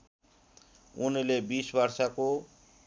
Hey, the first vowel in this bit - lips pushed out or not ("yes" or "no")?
yes